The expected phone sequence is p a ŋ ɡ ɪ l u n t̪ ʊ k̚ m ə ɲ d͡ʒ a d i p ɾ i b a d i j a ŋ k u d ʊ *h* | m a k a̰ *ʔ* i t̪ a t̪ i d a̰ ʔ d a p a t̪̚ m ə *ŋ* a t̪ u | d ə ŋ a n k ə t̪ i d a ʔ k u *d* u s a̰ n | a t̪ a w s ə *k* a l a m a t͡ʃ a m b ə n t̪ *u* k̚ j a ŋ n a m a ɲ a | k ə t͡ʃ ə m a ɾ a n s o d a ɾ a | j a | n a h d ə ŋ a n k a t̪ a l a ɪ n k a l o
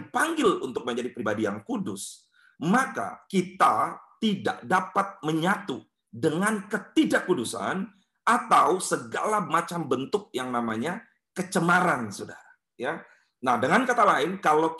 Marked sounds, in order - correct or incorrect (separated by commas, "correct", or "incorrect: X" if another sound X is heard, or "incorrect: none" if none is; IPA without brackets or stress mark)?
incorrect: s, incorrect: k, incorrect: ɲ, correct, incorrect: ɡ, incorrect: ʊ